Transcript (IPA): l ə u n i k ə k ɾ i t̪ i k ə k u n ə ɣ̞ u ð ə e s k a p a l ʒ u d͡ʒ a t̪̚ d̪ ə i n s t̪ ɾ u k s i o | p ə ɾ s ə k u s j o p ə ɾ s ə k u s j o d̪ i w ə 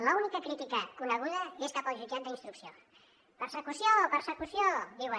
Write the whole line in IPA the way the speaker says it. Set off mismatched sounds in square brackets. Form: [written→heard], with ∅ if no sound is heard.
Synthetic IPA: l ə u n i k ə k ɾ i t̪ i k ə k u n ə ɣ̞ u ð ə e s k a p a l ʒ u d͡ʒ a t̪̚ d̪ ə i n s t̪ ɾ u k s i o | p ə ɾ s ə k u s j o p ə ɾ s ə k u s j o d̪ i w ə